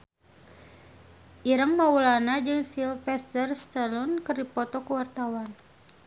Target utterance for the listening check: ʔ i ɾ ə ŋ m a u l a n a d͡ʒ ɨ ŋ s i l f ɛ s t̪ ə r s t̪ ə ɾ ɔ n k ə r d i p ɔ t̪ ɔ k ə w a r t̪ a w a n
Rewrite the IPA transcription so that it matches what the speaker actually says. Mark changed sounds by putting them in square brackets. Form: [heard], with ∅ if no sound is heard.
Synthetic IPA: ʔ i ɾ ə ŋ m a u l a n a d͡ʒ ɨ ŋ s i l f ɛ s t̪ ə r s t̪ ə [l] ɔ n k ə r d i p ɔ t̪ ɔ k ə w a r t̪ a w a n

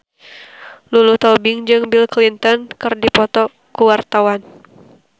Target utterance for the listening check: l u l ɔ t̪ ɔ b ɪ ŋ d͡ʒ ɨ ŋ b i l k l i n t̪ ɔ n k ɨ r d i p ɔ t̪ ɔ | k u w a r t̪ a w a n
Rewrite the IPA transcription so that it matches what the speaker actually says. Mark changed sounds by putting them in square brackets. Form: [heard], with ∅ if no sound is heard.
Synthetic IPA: l u l [u] t̪ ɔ b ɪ ŋ d͡ʒ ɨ ŋ b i l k l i n t̪ ɔ n k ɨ r d i p ɔ t̪ ɔ | k u w a r t̪ a w a n

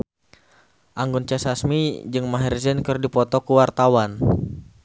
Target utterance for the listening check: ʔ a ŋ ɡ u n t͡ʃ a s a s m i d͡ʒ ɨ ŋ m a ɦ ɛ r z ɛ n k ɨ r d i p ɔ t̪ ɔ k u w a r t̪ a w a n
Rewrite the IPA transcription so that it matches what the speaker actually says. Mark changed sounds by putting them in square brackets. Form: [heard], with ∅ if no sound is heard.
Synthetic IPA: ʔ a ŋ ɡ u n t͡ʃ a s a s m i d͡ʒ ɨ ŋ m a ɦ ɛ r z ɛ n k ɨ r d i p ɔ t̪ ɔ k u w a r t̪ a w a n

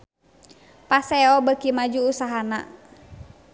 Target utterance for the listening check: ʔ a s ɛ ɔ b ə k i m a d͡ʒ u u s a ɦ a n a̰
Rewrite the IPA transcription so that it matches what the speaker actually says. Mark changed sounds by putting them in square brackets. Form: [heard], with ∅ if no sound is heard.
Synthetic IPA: [p] a s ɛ ɔ b ə k i m a d͡ʒ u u s a ɦ a n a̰

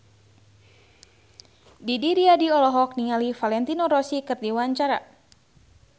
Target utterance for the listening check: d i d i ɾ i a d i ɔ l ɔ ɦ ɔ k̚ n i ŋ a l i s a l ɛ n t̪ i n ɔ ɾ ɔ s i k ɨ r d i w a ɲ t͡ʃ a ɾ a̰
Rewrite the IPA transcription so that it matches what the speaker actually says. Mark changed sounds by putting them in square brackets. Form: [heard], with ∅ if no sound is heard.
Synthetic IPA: d i d i ɾ i a d i ɔ l ɔ ɦ ɔ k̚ n i ŋ a l i [f] a l ɛ n t̪ i n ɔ ɾ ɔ s i k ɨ r d i w a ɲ t͡ʃ a ɾ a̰

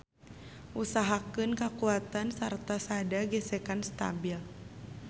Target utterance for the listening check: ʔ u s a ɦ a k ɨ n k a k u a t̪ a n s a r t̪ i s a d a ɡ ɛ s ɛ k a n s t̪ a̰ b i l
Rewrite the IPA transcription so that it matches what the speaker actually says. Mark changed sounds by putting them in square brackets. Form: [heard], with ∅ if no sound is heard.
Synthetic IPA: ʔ u s a ɦ a k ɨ n k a k u a t̪ a n s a r t̪ [a] s a d a ɡ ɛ s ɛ k a n s t̪ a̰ b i l

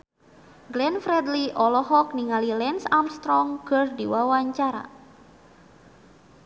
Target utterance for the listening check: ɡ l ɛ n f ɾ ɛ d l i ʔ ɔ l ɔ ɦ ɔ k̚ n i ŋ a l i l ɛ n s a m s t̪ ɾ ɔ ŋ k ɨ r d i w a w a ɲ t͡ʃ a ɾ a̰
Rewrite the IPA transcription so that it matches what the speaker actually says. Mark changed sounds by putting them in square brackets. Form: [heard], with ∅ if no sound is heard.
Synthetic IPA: ɡ l ɛ n f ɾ ɛ d l i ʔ ɔ l ɔ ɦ ɔ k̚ n i ŋ a l i l ɛ n s a m s t̪ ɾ ɔ ŋ k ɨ r d i w a w a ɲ t͡ʃ a ɾ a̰

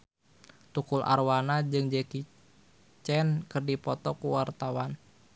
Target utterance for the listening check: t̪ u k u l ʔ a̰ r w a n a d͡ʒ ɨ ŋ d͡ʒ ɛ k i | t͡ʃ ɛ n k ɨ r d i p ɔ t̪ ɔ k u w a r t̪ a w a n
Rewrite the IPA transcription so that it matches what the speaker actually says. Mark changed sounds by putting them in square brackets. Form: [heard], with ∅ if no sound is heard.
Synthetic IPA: t̪ u k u l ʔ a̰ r w a n a d͡ʒ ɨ ŋ d͡ʒ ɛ k i | t͡ʃ ɛ n k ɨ r d i p ɔ t̪ ɔ k u w a r t̪ a w a n

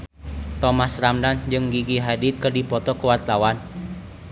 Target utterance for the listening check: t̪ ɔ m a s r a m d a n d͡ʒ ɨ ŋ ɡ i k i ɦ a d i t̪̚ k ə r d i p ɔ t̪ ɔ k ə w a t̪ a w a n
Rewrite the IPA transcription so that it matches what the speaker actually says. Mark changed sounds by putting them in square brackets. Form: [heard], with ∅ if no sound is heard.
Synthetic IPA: t̪ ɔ m a s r a m d a n d͡ʒ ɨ ŋ ɡ i [ɡ] i ɦ a d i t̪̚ k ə r d i p ɔ t̪ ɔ k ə w a t̪ a w a n

